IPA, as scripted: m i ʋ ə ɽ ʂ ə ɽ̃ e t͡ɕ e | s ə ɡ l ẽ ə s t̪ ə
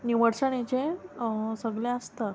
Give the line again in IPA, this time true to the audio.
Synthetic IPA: n i ʋ ə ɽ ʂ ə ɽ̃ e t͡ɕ e | s ə ɡ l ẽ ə s t̪ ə